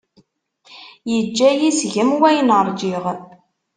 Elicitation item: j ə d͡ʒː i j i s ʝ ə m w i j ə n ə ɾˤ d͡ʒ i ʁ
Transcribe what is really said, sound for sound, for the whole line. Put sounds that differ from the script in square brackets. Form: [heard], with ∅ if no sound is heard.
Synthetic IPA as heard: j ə d͡ʒː [æ] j i s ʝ ə m w [æ] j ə n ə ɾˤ d͡ʒ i ʁ